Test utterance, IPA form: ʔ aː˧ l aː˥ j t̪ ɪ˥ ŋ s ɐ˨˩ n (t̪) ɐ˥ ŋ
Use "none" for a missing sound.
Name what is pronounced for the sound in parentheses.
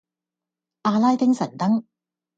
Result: t̪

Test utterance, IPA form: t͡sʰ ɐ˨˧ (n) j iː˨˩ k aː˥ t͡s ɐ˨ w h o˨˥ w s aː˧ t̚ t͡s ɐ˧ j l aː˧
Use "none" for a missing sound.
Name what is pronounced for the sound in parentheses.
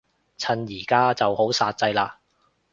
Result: n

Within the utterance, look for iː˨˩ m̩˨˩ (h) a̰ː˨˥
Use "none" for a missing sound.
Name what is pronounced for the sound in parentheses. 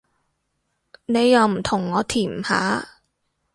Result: h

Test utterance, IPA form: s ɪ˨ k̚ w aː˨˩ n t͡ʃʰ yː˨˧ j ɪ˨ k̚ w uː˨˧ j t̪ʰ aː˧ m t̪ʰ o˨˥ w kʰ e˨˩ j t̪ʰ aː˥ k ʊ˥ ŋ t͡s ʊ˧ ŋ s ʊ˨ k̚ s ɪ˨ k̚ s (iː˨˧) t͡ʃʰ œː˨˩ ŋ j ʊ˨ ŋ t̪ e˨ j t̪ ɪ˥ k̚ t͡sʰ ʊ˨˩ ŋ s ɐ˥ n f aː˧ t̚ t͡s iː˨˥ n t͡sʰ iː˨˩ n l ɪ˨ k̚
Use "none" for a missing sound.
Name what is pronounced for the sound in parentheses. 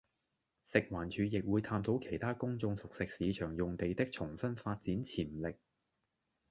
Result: iː˨˧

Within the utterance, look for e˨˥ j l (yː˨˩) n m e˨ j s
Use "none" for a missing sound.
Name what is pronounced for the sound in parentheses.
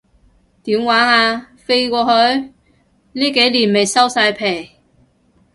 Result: iː˨˩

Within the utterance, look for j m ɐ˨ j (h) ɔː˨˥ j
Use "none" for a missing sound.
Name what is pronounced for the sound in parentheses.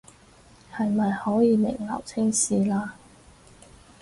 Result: h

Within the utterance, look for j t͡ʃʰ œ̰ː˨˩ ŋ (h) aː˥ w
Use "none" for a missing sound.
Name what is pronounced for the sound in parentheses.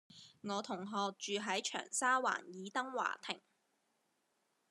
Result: s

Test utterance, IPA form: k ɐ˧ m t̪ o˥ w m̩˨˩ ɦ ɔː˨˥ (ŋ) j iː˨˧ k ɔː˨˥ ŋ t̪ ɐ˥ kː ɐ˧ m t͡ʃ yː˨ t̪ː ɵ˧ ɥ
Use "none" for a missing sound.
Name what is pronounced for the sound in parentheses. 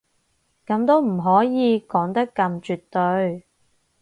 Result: none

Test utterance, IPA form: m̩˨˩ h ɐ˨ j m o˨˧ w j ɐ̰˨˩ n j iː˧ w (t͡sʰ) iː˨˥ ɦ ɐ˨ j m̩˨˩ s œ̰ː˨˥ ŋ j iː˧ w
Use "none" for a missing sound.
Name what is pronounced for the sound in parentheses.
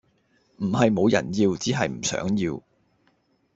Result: t͡s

